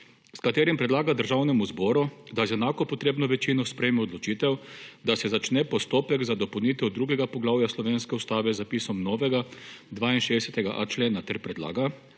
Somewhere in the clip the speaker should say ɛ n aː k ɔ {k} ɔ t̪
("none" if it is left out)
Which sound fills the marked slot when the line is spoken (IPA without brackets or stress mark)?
p